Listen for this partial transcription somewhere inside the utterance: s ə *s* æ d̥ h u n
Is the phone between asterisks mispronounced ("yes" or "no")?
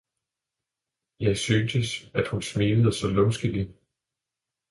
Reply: no